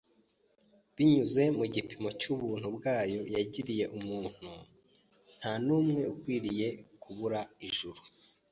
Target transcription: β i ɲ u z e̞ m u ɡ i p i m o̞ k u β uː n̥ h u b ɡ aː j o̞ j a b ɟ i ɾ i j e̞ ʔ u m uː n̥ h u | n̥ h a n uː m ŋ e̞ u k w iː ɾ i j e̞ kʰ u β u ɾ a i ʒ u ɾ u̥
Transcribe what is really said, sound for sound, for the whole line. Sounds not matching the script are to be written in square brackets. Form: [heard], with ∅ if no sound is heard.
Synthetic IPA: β i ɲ u z e̞ m u [ɟ] i p i m o̞ [c] u β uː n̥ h u b ɡ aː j o̞ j a [∅] ɟ i ɾ i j e̞ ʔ u m uː n̥ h u | n̥ h a n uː m ŋ e̞ u k w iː ɾ i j e̞ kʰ u β u ɾ a i ʒ u ɾ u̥